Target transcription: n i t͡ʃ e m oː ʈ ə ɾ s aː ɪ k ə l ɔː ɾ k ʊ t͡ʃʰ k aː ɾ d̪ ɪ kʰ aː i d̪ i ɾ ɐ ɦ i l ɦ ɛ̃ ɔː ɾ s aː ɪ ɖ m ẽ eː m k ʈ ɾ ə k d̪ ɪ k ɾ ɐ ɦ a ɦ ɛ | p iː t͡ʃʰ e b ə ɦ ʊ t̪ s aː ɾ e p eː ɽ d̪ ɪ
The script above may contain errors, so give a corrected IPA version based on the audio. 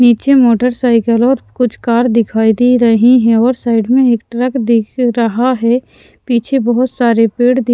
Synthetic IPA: n iː t͡ʃ e m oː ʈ ə ɾ s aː ɪ k ə l ɔː ɾ k ʊ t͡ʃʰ k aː ɾ d̪ ɪ kʰ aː i d̪ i ɾ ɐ ɦ i ɦ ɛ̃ ɔː ɾ s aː ɪ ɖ m ẽ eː k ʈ ɾ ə k d̪ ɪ k ɾ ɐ ɦ a ɦ ɛ | p iː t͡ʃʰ e b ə ɦ ʊ t̪ s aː ɾ e p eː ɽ d̪ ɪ